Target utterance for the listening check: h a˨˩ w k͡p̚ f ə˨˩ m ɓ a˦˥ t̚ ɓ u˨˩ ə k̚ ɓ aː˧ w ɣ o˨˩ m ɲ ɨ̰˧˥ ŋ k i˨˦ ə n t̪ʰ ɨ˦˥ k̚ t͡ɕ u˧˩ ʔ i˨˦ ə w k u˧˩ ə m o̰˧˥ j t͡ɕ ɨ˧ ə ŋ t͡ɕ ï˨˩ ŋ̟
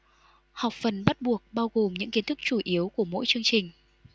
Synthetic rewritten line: h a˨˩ w k͡p̚ f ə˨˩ n ɓ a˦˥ t̚ ɓ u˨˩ ə k̚ ɓ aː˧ w ɣ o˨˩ m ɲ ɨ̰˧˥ ŋ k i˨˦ ə n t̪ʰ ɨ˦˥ k̚ t͡ɕ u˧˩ ʔ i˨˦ ə w k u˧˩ ə m o̰˧˥ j t͡ɕ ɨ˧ ə ŋ t͡ɕ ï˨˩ ŋ̟